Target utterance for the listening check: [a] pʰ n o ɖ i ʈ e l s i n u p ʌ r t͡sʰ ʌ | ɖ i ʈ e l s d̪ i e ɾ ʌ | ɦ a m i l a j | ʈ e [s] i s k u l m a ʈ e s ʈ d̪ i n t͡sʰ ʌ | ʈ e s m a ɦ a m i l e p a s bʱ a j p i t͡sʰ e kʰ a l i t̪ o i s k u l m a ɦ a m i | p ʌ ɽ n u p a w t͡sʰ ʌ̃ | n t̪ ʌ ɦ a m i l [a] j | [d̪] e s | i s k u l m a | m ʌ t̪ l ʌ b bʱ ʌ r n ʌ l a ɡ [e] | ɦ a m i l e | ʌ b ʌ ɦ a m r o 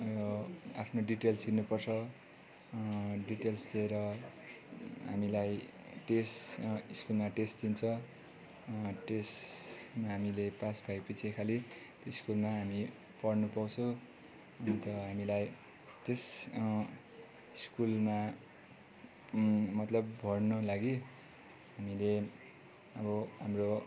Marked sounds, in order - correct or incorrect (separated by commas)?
correct, correct, correct, incorrect, incorrect